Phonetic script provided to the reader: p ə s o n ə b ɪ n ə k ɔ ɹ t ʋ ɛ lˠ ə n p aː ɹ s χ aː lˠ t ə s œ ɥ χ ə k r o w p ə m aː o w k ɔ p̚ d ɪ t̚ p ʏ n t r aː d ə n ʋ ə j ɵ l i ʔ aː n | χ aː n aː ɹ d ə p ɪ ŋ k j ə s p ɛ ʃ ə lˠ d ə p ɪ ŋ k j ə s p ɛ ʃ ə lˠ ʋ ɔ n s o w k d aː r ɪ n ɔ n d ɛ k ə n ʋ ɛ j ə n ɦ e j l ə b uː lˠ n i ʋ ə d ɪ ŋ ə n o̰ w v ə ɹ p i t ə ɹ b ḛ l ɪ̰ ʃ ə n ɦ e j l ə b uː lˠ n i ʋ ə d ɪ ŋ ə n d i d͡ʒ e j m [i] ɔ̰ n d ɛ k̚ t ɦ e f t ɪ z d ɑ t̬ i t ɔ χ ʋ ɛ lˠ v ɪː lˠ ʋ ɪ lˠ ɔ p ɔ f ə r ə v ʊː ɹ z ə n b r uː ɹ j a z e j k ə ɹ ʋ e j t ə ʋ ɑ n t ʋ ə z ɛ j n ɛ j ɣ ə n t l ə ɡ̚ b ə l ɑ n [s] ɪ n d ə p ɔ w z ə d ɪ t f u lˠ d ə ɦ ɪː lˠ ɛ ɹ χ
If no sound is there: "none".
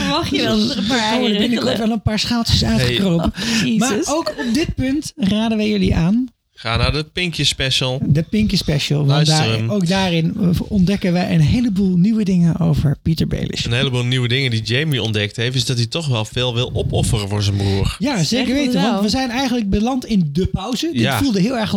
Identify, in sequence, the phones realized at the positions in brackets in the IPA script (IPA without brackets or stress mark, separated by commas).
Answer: i, t